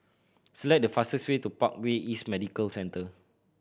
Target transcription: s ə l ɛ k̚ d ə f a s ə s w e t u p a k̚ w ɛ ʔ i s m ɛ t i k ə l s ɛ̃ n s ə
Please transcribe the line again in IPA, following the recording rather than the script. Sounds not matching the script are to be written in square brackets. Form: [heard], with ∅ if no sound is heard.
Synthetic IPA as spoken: s ə l ɛ k̚ d ə f a s ə s w e t u p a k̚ w [e] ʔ i s m ɛ [d] i k ə l s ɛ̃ n [t] ə